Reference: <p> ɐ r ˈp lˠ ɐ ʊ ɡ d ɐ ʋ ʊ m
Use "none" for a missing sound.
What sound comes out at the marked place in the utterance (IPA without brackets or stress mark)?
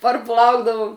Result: p